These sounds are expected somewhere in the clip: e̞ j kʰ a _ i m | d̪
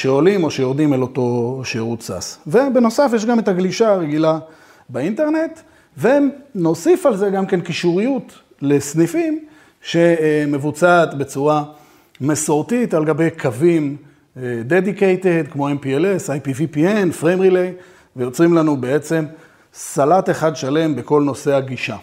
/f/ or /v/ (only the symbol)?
v